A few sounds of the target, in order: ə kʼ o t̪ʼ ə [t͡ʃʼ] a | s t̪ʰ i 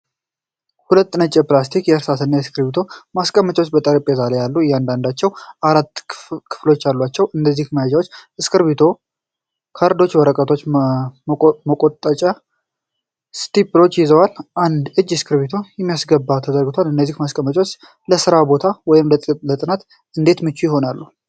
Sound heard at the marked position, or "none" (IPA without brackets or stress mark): t͡ʃʼ